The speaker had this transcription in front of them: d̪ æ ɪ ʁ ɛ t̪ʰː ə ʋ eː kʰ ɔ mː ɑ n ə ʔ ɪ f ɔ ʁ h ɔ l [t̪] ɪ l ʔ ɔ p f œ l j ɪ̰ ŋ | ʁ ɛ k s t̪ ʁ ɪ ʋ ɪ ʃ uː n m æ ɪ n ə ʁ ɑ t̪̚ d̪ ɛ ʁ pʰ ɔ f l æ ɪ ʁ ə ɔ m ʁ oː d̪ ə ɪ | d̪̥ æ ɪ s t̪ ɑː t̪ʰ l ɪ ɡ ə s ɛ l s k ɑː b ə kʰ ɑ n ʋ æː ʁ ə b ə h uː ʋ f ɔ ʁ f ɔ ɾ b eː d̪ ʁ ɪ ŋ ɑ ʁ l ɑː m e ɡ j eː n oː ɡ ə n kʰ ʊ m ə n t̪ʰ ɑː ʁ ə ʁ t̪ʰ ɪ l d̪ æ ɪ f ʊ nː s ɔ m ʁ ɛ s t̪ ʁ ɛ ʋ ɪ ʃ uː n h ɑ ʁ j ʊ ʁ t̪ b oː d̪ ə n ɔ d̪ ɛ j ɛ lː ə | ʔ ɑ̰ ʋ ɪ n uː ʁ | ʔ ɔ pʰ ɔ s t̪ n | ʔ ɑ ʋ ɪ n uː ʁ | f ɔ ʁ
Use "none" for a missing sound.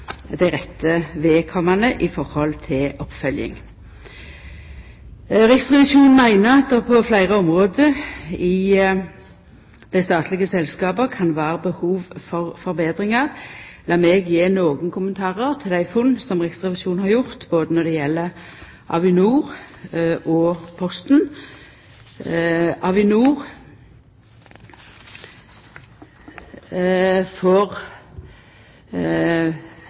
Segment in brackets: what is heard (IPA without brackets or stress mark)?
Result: t̪ʰ